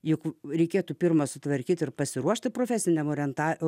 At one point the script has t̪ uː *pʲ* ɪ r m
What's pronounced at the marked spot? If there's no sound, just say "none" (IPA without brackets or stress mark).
pʲ